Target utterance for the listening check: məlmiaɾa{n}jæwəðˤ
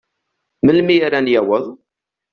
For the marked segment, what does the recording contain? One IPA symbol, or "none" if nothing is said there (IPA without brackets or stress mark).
n